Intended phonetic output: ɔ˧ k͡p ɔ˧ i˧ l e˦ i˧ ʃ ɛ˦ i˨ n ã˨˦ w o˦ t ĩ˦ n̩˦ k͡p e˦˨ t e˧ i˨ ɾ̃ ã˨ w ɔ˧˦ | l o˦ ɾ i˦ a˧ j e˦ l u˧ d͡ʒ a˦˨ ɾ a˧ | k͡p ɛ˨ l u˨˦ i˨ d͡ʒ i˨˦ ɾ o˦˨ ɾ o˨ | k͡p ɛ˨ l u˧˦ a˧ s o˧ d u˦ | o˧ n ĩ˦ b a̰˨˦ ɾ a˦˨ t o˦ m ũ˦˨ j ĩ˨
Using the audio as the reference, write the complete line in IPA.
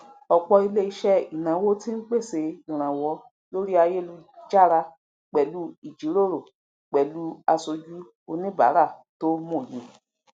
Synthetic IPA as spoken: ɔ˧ k͡p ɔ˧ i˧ l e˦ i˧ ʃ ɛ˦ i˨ n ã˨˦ w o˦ t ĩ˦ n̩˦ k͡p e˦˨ s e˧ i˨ ɾ̃ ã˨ w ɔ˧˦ | l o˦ ɾ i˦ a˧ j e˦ l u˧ d͡ʒ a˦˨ ɾ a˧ | k͡p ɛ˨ l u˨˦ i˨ d͡ʒ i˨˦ ɾ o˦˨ ɾ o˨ | k͡p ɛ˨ l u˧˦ a˧ s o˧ d͡ʒ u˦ | o˧ n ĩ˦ b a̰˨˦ ɾ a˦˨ t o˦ m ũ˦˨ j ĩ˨